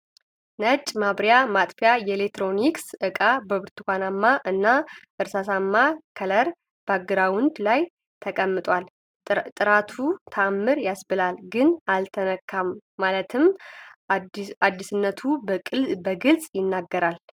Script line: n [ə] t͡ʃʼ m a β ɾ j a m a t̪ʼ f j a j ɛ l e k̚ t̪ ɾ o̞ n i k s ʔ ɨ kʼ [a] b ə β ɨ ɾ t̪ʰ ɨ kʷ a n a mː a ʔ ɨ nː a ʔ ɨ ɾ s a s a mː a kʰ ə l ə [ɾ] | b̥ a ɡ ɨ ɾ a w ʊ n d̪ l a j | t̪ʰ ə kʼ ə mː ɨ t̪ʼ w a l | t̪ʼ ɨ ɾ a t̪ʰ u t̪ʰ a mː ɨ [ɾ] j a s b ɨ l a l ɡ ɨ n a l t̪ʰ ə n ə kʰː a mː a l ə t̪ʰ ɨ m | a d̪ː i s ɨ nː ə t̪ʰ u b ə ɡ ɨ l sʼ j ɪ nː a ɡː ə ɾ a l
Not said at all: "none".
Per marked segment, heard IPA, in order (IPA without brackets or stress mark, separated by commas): ə, a, ɾ, ɾ